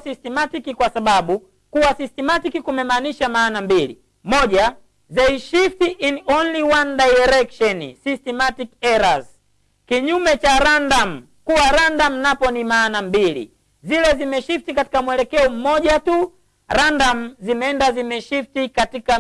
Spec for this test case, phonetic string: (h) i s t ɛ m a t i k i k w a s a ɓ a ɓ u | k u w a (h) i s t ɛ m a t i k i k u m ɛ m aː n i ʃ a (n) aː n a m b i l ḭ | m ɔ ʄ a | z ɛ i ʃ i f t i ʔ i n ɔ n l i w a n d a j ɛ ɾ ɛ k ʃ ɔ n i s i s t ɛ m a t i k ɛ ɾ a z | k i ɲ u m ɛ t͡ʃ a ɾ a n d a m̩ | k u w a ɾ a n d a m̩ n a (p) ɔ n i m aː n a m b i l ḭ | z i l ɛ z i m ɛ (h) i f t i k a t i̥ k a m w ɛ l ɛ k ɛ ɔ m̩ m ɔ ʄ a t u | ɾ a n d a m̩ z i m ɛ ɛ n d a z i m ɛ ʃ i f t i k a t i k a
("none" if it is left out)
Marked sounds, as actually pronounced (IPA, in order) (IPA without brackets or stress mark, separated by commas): s, s, m, p, ʃ